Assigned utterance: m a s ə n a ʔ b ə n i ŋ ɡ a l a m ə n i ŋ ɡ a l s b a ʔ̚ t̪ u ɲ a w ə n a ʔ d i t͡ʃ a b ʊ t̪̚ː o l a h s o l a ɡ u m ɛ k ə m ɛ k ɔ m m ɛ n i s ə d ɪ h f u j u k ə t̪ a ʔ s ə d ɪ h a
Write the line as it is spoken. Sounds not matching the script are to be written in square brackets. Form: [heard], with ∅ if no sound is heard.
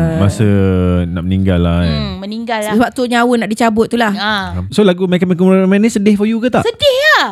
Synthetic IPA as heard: m a s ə n a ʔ [m] ə n i ŋ ɡ a l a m ə n i ŋ ɡ a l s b a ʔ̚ t̪ u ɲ a w ə n a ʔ d i t͡ʃ a b ʊ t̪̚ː [u] l a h s o l a ɡ u m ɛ k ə m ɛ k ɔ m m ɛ n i s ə d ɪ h f [ɔ] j u k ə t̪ a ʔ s ə d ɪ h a